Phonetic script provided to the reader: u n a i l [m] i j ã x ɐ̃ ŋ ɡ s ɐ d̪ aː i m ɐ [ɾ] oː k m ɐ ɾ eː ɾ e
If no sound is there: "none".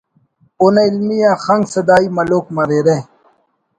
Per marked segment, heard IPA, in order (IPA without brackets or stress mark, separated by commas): m, l